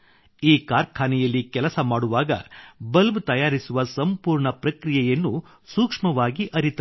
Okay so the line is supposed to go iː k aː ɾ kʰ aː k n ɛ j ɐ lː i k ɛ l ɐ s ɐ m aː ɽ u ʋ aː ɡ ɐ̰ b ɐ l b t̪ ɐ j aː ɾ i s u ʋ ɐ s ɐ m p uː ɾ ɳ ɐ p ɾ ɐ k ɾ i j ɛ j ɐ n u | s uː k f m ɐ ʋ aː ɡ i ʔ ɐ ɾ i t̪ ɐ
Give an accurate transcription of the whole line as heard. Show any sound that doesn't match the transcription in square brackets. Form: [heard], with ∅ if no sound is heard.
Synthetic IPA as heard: iː k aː ɾ kʰ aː [∅] n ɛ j ɐ lː i k ɛ l ɐ s ɐ m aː ɽ u ʋ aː ɡ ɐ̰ b ɐ l b t̪ ɐ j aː ɾ i s u ʋ ɐ s ɐ m p uː ɾ ɳ ɐ p ɾ ɐ k ɾ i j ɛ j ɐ [nː] u | s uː k [ʂ] m ɐ ʋ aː ɡ i ʔ ɐ ɾ i t̪ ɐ